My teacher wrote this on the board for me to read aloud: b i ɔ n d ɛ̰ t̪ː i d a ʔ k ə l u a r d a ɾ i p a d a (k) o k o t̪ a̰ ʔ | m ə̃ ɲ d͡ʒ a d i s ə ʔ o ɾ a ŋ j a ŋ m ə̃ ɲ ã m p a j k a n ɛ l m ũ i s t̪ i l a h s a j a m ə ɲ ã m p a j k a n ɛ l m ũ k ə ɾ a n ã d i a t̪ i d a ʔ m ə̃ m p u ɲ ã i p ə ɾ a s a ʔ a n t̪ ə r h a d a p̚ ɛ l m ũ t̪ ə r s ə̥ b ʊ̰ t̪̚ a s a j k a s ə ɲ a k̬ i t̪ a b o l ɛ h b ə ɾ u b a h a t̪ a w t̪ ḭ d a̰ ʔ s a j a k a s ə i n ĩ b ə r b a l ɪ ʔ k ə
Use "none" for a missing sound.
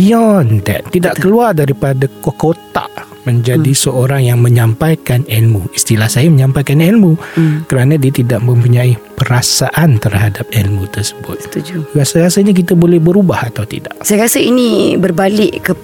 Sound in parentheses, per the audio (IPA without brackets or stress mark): k